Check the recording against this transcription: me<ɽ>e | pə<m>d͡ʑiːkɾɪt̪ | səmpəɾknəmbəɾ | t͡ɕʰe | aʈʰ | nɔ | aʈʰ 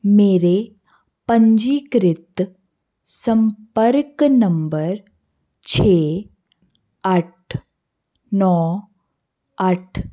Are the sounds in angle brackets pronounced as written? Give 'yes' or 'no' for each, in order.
no, no

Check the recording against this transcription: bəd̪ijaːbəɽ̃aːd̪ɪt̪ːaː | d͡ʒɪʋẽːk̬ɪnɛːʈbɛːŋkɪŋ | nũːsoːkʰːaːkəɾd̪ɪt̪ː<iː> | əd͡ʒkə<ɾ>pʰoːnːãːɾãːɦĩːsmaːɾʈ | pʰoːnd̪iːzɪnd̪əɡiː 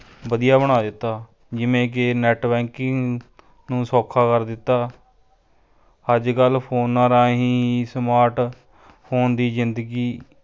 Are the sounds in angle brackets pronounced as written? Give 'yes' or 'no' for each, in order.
no, no

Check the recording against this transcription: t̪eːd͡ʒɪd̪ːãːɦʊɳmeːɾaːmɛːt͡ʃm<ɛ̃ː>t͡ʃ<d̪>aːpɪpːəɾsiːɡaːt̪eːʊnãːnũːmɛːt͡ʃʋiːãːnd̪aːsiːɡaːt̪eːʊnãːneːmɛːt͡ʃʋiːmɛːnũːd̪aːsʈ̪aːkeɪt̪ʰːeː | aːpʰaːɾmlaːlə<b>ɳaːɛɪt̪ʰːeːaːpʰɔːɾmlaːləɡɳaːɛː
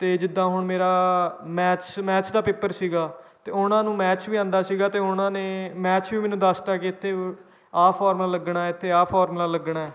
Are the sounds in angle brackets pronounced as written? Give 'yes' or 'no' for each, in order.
no, yes, no

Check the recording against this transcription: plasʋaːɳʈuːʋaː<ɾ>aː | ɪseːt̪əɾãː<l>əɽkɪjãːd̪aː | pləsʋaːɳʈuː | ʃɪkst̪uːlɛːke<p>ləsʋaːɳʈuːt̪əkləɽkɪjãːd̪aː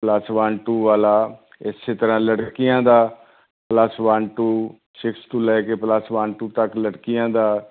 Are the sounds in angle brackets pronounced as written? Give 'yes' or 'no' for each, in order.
no, yes, yes

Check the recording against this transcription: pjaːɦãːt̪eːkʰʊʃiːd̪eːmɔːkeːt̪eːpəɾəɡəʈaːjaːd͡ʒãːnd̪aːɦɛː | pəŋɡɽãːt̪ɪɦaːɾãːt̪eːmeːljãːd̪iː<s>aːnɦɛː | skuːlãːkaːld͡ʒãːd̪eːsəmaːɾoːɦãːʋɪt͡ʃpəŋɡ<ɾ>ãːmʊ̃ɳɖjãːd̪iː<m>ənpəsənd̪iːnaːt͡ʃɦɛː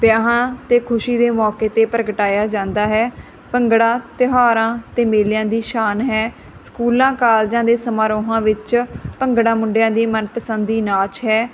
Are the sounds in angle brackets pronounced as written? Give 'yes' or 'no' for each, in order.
no, no, yes

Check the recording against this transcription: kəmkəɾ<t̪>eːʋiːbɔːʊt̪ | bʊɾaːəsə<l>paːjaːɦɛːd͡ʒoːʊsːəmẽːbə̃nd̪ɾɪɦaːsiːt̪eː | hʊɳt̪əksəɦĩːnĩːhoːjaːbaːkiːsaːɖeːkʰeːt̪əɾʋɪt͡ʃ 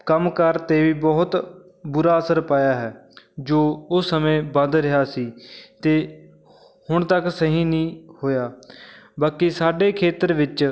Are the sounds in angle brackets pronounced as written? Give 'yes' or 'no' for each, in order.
yes, no

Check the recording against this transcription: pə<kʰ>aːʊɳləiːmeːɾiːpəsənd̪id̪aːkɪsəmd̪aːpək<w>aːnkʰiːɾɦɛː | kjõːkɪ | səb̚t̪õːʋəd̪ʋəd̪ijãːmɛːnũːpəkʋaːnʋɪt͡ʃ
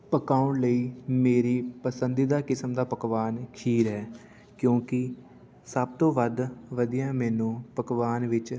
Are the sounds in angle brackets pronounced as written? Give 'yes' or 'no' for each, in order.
no, no

